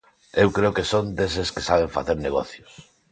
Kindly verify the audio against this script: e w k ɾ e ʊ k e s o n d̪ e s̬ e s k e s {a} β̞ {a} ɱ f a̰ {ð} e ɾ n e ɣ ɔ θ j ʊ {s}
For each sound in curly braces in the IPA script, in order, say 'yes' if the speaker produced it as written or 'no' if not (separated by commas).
yes, no, no, yes